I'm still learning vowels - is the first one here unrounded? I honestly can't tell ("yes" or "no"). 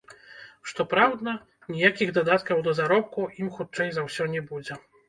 no